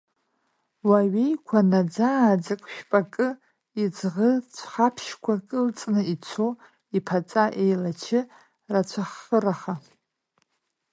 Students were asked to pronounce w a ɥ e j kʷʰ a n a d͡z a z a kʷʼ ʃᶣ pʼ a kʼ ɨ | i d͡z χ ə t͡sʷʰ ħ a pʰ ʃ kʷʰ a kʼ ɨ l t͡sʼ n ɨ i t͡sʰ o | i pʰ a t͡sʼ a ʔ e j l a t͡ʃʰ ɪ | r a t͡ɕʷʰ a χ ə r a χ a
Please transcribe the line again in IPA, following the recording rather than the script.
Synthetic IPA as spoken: w a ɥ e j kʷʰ a n a d͡z a d͡z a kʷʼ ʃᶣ pʼ a kʼ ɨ | i d͡z ʁ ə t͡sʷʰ χ a pʰ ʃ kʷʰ a kʼ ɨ l t͡sʼ n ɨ i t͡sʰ o | i pʰ a t͡sʼ a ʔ e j l a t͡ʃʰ ɪ | r a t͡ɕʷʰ a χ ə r a χ a

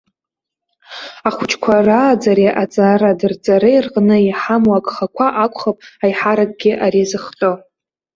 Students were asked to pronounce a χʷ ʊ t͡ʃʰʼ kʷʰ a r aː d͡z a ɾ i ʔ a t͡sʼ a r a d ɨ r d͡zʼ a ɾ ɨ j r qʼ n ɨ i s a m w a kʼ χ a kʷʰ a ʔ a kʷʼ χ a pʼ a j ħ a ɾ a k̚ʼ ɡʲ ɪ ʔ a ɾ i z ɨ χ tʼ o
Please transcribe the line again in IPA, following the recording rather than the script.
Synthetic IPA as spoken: a χʷ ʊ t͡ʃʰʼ kʷʰ a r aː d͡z a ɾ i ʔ a t͡sʼ a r a d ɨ r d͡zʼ a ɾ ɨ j r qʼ n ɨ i ħ a m w a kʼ χ a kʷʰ a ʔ a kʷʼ χ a pʼ a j ħ a ɾ a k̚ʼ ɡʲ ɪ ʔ a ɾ i z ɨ χ tʼ o

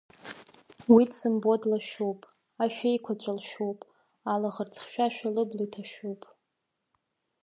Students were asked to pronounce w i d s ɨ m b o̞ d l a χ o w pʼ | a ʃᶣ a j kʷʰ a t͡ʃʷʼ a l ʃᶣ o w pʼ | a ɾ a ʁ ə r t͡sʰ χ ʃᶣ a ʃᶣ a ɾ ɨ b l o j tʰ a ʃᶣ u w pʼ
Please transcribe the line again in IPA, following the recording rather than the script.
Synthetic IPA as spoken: w i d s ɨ m b o̞ d l a ʃ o w pʼ | a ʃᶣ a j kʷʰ a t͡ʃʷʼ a l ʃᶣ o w pʼ | a l a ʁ ə r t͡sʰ χ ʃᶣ a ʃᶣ a l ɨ b l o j tʰ a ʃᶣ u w pʼ

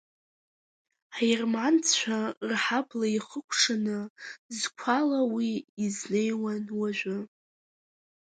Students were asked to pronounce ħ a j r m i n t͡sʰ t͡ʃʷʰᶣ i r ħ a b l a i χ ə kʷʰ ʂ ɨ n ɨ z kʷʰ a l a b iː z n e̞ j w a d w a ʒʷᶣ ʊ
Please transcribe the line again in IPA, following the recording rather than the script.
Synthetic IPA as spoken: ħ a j r m a n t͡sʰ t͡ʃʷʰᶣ a r ħ a b l a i χ ə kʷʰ ʂ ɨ n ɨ z kʷʰ a l a w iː z n e̞ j w a n w a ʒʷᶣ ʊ

